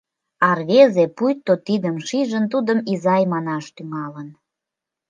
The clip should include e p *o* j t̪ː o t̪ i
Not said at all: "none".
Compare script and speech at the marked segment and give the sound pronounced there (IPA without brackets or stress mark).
u